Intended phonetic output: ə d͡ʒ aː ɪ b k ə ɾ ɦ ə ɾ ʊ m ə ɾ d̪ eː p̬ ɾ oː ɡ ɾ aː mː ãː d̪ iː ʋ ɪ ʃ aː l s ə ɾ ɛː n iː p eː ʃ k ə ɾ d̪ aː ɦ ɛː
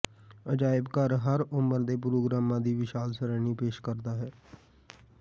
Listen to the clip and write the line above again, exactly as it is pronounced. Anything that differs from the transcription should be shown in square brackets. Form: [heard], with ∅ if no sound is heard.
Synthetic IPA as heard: ə d͡ʒ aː ɪ b k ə ɾ ɦ ə ɾ ʊ m ə ɾ d̪ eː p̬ ɾ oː ɡ ɾ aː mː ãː d̪ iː ʋ ɪ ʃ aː l s ə ɾ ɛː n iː p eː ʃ k ə ɾ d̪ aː ɦ ɛː